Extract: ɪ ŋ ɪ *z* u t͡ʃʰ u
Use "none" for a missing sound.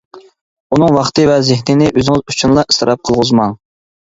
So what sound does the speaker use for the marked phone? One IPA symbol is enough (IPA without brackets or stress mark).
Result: z